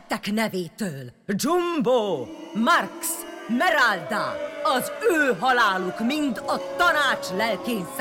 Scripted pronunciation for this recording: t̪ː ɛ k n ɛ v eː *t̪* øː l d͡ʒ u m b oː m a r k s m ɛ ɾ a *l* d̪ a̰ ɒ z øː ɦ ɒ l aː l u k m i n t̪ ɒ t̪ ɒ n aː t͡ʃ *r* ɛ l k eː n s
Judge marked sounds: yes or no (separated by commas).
yes, yes, no